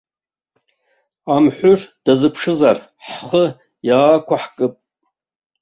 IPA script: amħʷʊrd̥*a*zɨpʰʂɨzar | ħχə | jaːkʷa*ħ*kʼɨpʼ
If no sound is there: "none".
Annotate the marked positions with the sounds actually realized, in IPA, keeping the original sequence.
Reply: a, ħ

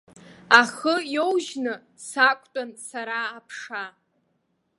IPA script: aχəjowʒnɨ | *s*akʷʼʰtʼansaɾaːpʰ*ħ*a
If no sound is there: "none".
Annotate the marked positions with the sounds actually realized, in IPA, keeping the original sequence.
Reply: s, ʂ

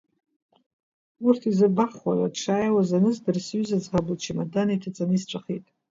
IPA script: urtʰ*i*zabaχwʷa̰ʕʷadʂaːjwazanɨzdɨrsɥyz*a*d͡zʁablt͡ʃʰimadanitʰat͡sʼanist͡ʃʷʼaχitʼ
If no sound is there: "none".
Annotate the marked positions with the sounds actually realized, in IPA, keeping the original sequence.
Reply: i, a

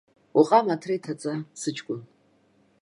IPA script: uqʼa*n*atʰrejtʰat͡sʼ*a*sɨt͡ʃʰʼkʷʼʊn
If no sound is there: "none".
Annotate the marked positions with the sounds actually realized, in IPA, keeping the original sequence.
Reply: m, a

